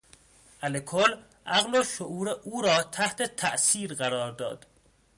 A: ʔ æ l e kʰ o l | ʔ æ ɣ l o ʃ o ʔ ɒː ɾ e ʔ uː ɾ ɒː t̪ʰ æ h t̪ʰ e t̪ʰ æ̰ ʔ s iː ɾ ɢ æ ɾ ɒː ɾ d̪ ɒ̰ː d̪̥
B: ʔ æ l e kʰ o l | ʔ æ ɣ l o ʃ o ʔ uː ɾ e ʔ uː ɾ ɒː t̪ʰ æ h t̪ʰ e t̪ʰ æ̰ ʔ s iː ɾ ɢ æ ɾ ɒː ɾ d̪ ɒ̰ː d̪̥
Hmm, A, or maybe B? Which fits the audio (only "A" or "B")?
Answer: B